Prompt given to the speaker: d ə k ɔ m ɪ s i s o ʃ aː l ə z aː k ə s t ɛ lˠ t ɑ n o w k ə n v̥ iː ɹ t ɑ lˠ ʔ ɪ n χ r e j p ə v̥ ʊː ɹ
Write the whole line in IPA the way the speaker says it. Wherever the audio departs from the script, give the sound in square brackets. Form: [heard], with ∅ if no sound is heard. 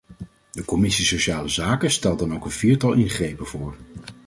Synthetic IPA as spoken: d ə k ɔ m ɪ s i s o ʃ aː l ə z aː k ə s t ɛ lˠ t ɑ n o w k ə n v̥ iː ɹ t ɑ lˠ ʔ ɪ n χ r e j p ə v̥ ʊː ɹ